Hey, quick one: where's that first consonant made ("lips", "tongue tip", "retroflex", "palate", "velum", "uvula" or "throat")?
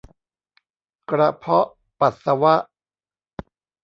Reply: velum